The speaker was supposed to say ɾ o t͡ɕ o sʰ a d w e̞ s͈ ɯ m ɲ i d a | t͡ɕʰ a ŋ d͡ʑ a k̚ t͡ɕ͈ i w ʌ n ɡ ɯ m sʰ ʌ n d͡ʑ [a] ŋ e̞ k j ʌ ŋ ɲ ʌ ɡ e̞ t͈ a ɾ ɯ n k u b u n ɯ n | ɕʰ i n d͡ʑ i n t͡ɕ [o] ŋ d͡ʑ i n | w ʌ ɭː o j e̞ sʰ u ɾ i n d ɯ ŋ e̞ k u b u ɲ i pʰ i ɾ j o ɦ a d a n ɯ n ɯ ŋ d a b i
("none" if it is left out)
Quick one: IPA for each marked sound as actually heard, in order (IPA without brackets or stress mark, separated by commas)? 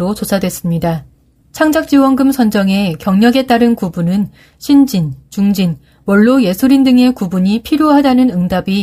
ʌ, u